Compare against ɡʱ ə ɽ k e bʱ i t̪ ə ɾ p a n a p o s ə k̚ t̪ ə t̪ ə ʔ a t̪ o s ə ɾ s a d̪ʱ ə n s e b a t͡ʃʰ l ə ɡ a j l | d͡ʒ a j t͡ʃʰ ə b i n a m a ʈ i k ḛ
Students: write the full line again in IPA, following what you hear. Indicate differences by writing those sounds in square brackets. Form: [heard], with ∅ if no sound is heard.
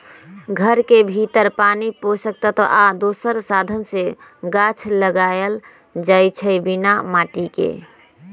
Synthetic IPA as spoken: ɡʱ ə [ɾ] k e bʱ i t̪ ə ɾ p a n [i] p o s ə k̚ t̪ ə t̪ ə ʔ a [d̪] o s ə ɾ s a d̪ʱ ə n s e [ɡ] a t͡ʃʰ l ə ɡ a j l | d͡ʒ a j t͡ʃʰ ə b i n a m a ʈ i k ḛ

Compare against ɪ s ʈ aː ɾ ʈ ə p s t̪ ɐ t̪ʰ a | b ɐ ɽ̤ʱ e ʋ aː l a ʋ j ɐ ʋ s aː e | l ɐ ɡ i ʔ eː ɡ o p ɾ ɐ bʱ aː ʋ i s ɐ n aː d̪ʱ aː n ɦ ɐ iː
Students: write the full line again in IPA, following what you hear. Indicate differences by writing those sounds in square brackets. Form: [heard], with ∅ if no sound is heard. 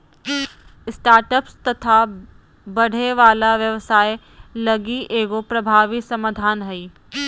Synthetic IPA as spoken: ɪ s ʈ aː ɾ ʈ ə p s t̪ ɐ t̪ʰ a | b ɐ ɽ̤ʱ e ʋ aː l a ʋ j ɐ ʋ s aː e | l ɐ ɡ i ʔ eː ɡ o p ɾ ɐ bʱ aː ʋ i s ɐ [m] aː d̪ʱ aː n ɦ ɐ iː

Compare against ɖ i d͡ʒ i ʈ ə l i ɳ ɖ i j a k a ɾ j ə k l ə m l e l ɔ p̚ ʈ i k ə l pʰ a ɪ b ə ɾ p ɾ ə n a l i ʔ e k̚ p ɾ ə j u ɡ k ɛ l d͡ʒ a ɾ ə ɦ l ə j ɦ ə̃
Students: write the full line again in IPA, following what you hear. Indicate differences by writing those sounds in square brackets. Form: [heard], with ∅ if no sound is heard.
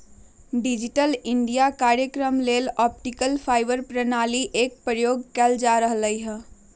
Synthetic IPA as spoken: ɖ i d͡ʒ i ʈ ə l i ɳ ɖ i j a k a ɾ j ə k [ɾ] ə m l e l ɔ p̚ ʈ i k ə l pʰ a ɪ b ə ɾ p ɾ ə n a l i ʔ e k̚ p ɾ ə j [o] ɡ k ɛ l d͡ʒ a ɾ ə ɦ l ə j ɦ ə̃

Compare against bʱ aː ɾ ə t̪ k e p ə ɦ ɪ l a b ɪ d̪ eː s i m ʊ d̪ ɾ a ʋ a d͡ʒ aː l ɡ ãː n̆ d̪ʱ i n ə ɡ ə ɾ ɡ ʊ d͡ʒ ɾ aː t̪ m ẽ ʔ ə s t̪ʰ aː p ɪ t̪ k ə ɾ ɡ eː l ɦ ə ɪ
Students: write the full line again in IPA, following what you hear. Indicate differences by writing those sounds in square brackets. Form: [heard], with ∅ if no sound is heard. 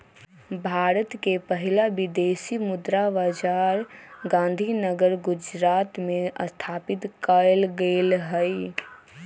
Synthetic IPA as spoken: bʱ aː ɾ ə t̪ k e p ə ɦ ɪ l a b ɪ d̪ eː s i m ʊ d̪ ɾ a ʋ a d͡ʒ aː [ɾ] ɡ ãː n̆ d̪ʱ i n ə ɡ ə ɾ ɡ ʊ d͡ʒ ɾ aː t̪ m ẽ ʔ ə s t̪ʰ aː p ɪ t̪ k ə [l] ɡ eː l ɦ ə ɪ

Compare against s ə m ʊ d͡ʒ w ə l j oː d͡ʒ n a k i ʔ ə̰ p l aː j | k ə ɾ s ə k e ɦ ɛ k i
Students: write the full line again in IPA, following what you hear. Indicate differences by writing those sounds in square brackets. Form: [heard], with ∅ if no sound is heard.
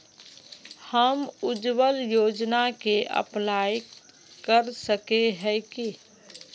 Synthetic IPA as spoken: [h] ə m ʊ d͡ʒ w ə l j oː d͡ʒ n a k [e] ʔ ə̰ p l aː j | k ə ɾ s ə k e ɦ ɛ k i

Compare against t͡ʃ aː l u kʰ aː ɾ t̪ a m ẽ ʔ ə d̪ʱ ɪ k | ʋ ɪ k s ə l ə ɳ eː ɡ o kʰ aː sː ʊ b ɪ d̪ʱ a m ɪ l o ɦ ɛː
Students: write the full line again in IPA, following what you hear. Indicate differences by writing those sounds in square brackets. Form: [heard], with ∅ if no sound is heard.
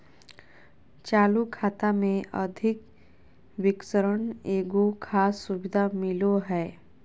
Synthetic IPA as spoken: t͡ʃ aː l u kʰ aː [∅] t̪ a m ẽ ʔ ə d̪ʱ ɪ k | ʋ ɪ k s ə [ɾ] ə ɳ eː ɡ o kʰ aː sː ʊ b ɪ d̪ʱ a m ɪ l o ɦ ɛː

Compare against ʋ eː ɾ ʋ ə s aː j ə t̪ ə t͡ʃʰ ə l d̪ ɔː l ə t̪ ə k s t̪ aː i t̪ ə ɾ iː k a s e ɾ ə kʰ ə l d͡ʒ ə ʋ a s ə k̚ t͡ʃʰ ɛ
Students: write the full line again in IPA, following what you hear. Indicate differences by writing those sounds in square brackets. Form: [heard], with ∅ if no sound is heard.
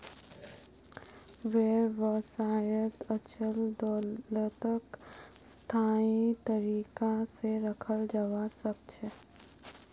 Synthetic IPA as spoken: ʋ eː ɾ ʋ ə s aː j ə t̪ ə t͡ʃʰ ə l d̪ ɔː l ə t̪ ə k s [t̪ʰ] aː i t̪ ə ɾ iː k a s e ɾ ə kʰ ə l d͡ʒ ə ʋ a s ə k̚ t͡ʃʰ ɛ

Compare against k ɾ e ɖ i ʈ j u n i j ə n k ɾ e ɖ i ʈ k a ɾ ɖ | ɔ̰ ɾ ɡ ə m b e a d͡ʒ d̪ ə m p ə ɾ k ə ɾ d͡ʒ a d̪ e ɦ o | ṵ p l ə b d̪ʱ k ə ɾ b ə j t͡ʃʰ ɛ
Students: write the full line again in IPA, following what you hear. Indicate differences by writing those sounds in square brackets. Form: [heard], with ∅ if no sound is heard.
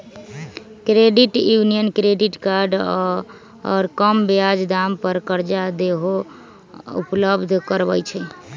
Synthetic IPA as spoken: k ɾ e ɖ i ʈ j u n i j ə n k ɾ e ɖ i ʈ k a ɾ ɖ | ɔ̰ ɾ [k] ə m b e a d͡ʒ d̪ [a] m p ə ɾ k ə ɾ d͡ʒ a d̪ e ɦ o | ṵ p l ə b d̪ʱ k ə ɾ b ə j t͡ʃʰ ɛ

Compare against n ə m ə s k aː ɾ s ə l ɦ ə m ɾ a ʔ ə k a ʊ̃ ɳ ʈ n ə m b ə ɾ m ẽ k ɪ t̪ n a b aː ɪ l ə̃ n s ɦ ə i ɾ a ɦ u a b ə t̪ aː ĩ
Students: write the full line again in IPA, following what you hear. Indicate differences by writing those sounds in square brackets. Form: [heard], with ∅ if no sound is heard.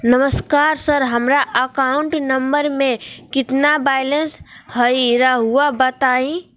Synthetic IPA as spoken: n ə m ə s k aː ɾ s ə [ɾ] ɦ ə m ɾ a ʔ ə k a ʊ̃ ɳ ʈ n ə m b ə ɾ m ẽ k ɪ t̪ n a b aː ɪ l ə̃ n s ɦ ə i ɾ a ɦ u a b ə t̪ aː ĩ

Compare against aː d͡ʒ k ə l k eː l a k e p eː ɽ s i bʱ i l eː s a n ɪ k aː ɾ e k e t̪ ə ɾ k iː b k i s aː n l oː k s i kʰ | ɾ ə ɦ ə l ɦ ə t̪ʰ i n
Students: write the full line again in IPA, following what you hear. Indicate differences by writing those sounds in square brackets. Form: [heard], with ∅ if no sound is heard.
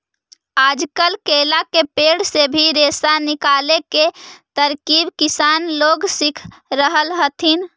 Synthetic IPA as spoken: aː d͡ʒ k ə l k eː l a k e p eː ɽ s [e] bʱ i [ɾ] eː s a n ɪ k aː [l] e k e t̪ ə ɾ k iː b k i s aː n l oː [ɡ] s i kʰ | ɾ ə ɦ ə l ɦ ə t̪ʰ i n

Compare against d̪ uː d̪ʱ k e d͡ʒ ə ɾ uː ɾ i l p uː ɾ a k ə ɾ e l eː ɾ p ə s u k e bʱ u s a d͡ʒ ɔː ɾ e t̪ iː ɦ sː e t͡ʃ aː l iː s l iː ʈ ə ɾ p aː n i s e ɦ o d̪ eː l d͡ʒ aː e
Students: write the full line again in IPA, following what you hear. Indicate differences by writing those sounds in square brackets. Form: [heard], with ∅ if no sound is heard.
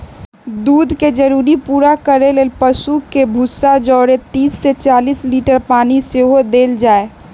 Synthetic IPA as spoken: d̪ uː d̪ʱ k e d͡ʒ ə ɾ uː ɾ i [∅] p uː ɾ a k ə ɾ e l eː [l] p ə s u k e bʱ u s a d͡ʒ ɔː ɾ e t̪ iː [∅] sː e t͡ʃ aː l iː s l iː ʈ ə ɾ p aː n i s e ɦ o d̪ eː l d͡ʒ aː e

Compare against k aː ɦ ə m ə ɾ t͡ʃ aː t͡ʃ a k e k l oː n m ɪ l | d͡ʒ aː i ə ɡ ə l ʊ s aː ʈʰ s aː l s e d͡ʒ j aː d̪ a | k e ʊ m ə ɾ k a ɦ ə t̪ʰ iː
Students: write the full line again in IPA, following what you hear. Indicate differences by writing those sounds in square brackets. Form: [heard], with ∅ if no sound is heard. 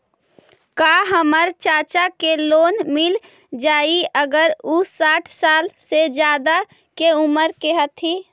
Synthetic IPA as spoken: k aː ɦ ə m ə ɾ t͡ʃ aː t͡ʃ a k e [∅] l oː n m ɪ l | d͡ʒ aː i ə ɡ ə [ɾ] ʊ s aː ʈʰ s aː l s e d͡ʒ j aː d̪ a | k e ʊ m ə ɾ k [e] ɦ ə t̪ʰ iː

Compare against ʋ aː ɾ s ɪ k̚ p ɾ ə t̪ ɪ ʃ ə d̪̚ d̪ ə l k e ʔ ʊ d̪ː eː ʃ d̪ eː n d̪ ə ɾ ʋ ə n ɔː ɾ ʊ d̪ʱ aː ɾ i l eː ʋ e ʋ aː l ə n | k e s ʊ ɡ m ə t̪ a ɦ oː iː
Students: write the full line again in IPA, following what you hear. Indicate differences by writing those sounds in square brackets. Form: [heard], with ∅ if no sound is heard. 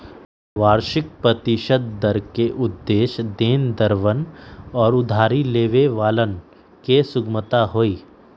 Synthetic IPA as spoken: ʋ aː ɾ [ʃ] ɪ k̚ p ɾ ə t̪ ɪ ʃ ə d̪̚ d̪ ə [ɾ] k e ʔ ʊ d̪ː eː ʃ d̪ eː n d̪ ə ɾ ʋ ə n ɔː ɾ ʊ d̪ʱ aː ɾ i l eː ʋ e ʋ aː l ə n | k e s ʊ ɡ m ə t̪ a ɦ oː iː

